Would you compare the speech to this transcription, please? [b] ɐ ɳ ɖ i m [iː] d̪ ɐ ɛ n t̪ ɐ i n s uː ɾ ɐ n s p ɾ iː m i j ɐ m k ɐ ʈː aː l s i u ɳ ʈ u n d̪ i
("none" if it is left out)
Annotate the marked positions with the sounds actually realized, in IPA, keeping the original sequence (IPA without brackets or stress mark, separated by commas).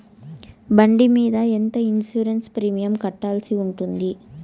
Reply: b, iː